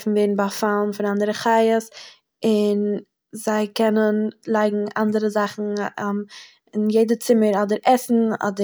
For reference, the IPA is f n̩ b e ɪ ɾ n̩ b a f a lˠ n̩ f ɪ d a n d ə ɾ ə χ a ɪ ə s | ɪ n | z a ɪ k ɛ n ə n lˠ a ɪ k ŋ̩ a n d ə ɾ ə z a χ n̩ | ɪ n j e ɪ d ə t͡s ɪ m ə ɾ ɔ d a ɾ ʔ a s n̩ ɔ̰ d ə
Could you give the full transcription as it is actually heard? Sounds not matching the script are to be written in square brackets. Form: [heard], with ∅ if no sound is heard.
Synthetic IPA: f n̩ [v] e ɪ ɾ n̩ b a f a lˠ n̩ f ɪ [n] a n d ə ɾ ə χ a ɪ ə s | ɪ n | z a ɪ k ɛ n ə n lˠ a ɪ [ɡ] ŋ̩ a n d ə ɾ ə z a χ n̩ | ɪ n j e ɪ d ə t͡s ɪ m ə ɾ ɔ d [ə] ɾ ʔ [ɛ] s n̩ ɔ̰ d ə